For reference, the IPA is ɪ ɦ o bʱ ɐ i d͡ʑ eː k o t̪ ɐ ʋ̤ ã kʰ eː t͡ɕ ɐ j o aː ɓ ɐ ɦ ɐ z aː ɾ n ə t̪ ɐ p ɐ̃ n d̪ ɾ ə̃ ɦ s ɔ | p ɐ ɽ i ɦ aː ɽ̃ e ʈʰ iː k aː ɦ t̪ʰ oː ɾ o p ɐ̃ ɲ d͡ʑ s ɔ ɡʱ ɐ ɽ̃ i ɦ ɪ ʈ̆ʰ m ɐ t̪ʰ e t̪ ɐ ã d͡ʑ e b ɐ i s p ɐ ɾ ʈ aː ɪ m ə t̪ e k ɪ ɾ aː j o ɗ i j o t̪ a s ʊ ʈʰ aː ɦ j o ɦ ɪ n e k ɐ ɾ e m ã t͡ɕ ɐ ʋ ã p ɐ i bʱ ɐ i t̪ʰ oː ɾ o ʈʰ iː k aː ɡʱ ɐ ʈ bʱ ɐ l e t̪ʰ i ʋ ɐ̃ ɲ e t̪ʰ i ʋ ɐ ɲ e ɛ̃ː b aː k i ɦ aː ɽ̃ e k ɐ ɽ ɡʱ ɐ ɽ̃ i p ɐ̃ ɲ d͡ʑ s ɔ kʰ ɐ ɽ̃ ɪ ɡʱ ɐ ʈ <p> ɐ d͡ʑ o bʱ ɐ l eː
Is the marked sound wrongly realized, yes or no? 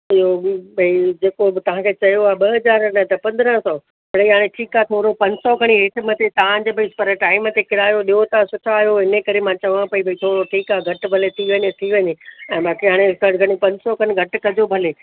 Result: yes